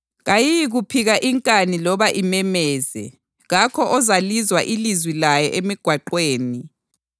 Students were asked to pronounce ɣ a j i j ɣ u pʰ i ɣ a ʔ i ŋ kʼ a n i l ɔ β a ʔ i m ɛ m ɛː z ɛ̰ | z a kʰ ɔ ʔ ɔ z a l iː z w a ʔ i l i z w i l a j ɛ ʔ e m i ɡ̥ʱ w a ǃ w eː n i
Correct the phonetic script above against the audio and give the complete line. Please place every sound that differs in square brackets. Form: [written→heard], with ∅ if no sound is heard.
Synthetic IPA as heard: ɣ a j i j ɣ u pʰ i ɣ a ʔ i ŋ kʼ a n i l ɔ β a ʔ i m ɛ m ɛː z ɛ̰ | [z→ɣ] a kʰ ɔ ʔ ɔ z a l [iː→i] z w a ʔ i l i z w i l a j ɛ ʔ e m i ɡ̥ʱ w a ǃ w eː n i